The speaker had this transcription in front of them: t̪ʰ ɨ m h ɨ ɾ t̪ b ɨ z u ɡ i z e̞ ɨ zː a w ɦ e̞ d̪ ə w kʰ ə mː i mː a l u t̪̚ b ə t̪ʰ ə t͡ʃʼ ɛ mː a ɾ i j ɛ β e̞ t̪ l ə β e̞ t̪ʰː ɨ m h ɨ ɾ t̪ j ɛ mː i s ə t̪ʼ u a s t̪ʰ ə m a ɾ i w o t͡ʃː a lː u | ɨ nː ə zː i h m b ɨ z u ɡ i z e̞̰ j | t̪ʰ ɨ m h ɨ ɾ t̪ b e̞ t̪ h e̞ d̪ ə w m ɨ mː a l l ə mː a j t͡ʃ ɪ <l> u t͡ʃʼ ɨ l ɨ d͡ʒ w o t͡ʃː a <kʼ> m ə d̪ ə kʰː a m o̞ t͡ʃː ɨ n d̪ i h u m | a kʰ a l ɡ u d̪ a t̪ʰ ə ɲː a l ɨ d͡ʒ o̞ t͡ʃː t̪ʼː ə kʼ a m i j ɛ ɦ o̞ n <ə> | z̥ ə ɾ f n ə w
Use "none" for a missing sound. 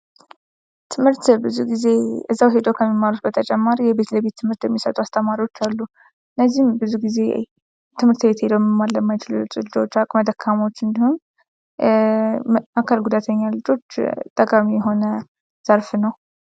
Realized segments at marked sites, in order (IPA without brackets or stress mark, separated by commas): l, kʼ, ə